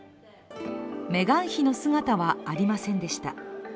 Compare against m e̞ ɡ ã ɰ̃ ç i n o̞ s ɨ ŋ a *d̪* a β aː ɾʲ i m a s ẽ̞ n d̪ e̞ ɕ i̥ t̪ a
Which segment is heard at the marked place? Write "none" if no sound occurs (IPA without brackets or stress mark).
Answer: t̪